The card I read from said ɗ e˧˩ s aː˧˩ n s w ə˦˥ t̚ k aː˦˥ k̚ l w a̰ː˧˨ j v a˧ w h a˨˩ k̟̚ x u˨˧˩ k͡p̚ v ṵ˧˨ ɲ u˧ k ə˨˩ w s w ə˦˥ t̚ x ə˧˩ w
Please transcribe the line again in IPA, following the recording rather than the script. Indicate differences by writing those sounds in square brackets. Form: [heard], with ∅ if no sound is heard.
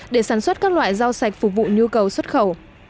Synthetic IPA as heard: ɗ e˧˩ s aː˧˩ n s w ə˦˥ t̚ k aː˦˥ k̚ l w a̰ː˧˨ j [z] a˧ w [s] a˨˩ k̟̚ [f] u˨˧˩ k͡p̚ v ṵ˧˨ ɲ u˧ k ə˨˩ w s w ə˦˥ t̚ x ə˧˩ w